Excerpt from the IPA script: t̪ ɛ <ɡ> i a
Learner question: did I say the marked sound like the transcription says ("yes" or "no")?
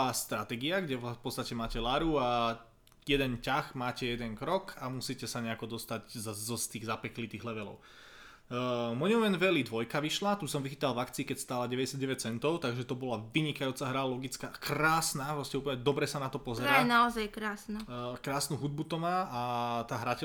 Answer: yes